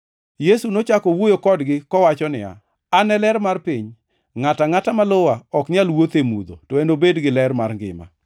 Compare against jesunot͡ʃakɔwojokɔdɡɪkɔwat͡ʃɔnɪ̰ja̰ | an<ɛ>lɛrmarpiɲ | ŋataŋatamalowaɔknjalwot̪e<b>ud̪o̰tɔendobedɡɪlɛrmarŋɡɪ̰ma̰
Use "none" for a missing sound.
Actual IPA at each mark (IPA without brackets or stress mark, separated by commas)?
ɛ, m